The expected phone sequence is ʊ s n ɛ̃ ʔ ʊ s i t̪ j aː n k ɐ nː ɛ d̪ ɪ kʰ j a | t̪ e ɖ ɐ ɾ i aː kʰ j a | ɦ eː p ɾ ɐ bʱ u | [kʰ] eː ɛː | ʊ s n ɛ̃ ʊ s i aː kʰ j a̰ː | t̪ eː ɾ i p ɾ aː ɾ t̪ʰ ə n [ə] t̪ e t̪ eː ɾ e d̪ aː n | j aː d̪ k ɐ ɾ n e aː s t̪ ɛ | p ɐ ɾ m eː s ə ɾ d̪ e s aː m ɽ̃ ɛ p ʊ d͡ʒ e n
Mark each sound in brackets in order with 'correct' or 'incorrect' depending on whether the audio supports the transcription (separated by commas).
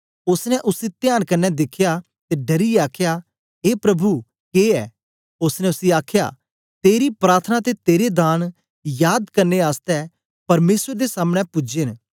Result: incorrect, incorrect